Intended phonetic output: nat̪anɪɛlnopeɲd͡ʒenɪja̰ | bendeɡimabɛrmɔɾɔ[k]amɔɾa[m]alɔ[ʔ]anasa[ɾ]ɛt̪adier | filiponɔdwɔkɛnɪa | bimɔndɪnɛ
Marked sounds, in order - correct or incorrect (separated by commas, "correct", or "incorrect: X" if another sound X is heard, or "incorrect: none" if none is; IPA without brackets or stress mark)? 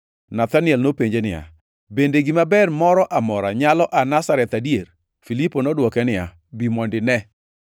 incorrect: ʔ, incorrect: ɲ, correct, correct